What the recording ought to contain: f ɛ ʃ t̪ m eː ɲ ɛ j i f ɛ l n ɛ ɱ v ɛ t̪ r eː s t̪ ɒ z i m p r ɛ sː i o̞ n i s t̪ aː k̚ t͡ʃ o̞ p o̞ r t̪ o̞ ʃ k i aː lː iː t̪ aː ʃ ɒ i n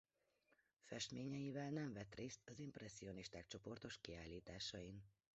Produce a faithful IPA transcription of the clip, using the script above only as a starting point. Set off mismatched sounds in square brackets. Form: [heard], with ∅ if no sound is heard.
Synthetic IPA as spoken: f ɛ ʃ t̪ m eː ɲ ɛ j i [v] ɛ l n ɛ ɱ v ɛ t̪ r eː s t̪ ɒ z i m p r ɛ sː i o̞ n i [ʃ] t̪ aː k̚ t͡ʃ o̞ p o̞ r t̪ o̞ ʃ k i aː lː iː t̪ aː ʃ ɒ i n